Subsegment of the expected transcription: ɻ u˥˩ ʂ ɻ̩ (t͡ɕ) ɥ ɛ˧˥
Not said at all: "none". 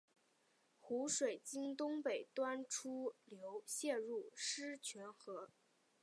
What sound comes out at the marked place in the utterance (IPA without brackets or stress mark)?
t͡ɕʰ